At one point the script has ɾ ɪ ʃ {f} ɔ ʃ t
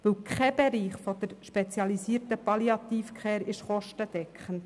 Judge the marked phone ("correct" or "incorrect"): incorrect